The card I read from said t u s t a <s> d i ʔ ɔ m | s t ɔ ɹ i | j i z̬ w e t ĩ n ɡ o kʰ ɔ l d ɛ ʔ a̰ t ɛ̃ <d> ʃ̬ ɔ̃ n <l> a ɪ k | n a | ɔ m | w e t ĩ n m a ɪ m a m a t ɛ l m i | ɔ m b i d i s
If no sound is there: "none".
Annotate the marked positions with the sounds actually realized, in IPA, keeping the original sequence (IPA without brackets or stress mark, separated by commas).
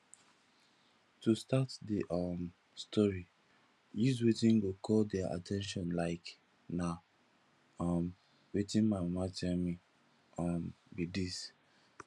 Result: t, n, l